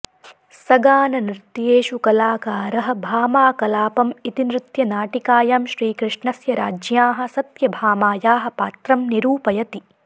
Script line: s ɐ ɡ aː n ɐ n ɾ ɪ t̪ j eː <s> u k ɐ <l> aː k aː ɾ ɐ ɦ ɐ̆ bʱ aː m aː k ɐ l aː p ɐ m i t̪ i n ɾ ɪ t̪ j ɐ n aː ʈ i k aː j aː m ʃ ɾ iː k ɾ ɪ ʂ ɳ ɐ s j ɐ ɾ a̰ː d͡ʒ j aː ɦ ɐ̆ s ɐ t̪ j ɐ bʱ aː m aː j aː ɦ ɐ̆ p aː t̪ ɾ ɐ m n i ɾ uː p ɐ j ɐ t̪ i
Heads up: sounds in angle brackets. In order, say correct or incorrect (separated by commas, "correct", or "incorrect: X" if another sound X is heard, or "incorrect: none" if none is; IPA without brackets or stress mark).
incorrect: ʃ, correct